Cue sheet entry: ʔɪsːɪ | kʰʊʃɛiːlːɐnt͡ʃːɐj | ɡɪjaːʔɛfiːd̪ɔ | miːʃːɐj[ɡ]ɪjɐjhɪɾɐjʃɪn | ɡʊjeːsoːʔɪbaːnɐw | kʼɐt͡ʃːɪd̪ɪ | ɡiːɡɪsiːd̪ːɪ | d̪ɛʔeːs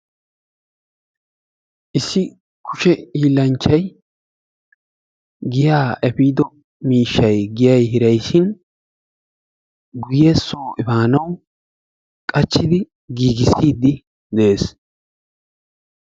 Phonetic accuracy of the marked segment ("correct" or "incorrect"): correct